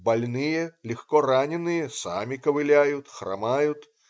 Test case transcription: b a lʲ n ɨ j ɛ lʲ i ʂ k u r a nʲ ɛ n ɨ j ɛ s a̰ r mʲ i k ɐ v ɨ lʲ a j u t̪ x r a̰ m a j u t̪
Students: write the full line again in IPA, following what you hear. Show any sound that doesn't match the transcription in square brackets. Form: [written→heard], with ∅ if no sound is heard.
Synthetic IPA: b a lʲ n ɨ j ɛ lʲ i [ʂ→x] k [u→ɔ] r a nʲ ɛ n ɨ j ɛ s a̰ [r→∅] mʲ i k ɐ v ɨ lʲ a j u t̪ x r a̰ m a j u t̪